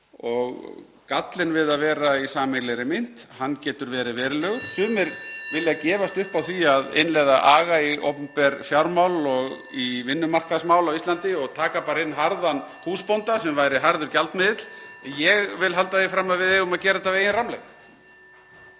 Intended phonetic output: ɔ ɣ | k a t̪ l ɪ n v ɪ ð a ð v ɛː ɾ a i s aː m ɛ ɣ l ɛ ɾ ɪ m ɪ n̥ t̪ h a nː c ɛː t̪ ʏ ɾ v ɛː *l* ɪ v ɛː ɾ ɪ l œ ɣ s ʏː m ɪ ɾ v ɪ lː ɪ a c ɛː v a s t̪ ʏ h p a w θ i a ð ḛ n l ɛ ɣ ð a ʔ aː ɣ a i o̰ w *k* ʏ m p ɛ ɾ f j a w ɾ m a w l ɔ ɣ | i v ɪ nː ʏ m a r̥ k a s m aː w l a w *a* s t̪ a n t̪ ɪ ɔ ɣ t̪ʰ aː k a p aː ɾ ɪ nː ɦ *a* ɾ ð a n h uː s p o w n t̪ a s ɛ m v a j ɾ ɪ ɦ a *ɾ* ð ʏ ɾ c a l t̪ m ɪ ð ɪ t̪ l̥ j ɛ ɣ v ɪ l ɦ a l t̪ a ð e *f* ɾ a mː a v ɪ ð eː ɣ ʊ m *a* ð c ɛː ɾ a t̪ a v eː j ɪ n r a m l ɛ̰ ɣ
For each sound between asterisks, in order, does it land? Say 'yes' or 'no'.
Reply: no, no, no, yes, yes, yes, yes

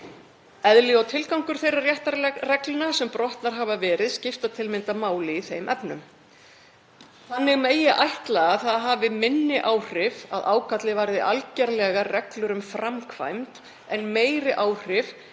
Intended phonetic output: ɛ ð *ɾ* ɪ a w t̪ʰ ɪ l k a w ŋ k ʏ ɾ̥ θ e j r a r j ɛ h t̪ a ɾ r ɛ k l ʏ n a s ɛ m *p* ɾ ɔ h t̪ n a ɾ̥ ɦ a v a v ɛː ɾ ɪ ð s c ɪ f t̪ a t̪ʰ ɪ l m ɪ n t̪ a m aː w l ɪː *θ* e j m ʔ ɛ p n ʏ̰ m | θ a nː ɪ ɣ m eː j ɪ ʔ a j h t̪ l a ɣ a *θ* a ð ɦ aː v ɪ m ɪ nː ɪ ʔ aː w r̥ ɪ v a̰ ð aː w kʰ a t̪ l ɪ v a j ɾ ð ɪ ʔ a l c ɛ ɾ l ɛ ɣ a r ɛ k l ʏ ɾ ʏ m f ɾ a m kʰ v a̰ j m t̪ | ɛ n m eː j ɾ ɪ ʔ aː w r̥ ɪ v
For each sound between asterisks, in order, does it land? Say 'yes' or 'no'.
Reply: no, yes, yes, yes

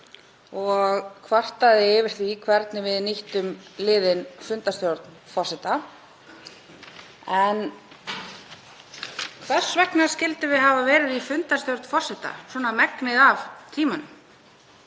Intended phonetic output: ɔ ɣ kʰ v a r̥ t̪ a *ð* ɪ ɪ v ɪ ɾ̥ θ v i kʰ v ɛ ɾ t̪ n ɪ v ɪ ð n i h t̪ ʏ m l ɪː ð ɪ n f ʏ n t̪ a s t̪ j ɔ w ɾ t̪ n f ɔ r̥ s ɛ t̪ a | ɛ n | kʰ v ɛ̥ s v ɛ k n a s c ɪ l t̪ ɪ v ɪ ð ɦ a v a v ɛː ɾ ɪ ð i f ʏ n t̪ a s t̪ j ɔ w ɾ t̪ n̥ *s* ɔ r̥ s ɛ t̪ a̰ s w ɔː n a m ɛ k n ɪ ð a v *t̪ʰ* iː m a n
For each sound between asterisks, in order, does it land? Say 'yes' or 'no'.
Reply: yes, no, yes

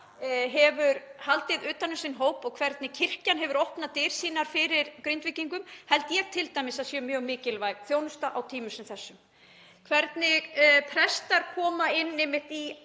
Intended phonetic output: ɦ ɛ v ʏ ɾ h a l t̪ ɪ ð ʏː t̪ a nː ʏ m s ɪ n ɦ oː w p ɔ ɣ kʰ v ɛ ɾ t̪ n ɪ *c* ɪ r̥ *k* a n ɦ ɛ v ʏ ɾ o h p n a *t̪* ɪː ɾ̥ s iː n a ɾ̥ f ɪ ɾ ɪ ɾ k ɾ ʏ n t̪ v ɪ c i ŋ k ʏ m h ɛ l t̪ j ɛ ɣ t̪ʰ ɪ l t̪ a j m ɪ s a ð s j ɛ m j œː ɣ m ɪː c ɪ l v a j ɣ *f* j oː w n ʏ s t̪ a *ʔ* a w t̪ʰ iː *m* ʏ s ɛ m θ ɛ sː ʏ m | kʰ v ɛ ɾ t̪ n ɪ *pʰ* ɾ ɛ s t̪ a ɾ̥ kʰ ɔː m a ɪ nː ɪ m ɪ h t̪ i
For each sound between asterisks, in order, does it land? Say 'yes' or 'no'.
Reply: no, no, yes, no, yes, yes, yes

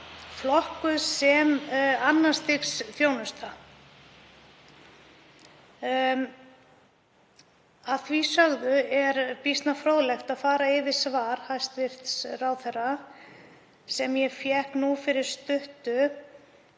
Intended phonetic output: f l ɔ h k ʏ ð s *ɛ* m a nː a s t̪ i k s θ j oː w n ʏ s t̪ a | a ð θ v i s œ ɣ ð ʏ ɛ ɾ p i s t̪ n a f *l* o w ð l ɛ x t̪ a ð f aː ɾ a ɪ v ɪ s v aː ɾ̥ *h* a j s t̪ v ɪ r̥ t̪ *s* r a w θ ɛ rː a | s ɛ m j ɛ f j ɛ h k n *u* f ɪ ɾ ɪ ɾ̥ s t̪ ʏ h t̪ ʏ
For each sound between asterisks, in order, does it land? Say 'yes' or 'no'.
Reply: yes, no, yes, yes, yes

